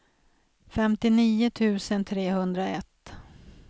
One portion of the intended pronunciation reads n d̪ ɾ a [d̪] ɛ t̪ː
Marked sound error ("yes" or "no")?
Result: yes